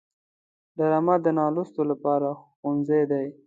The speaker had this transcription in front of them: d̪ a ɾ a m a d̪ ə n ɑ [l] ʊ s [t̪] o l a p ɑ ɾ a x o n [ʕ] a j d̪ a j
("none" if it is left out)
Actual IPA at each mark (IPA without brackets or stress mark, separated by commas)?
l, t̪, z